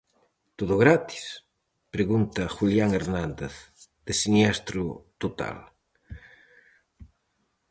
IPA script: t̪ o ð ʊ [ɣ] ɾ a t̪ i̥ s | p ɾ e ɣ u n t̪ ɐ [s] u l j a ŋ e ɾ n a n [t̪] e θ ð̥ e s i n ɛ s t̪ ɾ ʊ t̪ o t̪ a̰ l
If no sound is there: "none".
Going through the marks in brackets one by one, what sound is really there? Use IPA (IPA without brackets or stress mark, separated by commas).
ɣ, x, d̪